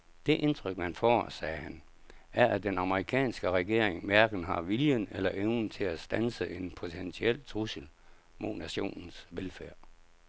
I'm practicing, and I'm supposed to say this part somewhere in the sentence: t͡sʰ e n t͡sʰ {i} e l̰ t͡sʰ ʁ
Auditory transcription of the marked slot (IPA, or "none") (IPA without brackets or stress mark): i